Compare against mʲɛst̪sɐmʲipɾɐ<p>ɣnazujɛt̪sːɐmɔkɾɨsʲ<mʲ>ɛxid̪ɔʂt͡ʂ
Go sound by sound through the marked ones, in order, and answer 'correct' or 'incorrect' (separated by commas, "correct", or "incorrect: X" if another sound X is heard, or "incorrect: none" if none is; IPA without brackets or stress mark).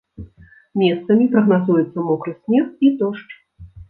incorrect: none, correct